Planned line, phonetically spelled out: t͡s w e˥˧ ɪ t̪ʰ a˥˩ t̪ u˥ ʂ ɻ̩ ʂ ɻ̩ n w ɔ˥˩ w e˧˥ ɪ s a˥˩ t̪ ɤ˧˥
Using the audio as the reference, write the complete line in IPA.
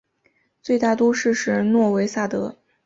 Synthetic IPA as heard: t͡s w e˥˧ ɪ t̪ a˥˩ t̪ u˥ ʂ ɻ̩ ʂ ɻ̩ n w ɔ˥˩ w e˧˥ ɪ s a˥˩ t̪ ɤ˧˥